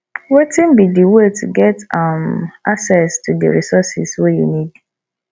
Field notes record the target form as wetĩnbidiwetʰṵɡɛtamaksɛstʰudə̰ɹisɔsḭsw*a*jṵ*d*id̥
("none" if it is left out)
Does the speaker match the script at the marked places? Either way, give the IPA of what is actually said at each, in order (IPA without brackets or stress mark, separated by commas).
e, n